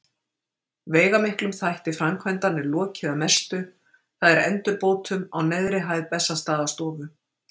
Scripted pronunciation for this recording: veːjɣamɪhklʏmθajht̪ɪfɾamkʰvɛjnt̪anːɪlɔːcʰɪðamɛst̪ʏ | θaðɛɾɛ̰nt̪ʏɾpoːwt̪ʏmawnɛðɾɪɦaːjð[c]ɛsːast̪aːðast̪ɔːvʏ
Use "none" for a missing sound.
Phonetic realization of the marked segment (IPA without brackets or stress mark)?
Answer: p